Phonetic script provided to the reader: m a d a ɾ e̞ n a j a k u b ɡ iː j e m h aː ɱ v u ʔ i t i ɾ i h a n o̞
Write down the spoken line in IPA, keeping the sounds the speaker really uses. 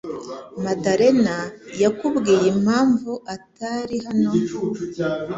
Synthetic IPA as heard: m a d a ɾ e̞ n a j a k u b ɡ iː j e m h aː ɱ v u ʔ a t a ɾ i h a n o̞